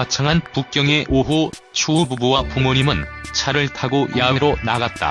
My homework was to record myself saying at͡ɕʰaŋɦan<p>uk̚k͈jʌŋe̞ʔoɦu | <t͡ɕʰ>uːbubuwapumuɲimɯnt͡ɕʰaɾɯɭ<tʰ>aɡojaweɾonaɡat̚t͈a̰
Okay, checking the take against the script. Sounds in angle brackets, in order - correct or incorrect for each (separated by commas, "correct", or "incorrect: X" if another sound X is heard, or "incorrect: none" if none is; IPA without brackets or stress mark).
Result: correct, correct, correct